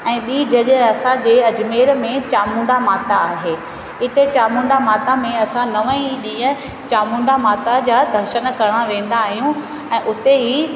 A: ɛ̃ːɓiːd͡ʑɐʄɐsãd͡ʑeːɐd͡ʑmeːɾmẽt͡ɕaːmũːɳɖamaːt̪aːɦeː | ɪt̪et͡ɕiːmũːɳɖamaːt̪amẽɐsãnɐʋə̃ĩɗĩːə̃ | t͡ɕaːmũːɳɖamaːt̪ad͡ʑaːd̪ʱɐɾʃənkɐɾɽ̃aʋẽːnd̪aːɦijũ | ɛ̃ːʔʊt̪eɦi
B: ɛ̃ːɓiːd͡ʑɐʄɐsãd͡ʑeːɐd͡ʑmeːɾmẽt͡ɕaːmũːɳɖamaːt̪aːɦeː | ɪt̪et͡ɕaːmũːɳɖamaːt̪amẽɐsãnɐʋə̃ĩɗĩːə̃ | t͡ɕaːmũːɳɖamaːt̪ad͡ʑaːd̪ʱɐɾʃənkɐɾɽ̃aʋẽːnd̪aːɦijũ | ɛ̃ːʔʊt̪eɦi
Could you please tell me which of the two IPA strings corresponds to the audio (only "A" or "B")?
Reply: B